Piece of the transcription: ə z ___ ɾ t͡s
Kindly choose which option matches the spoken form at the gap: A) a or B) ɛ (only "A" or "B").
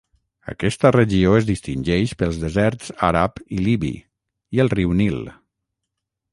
B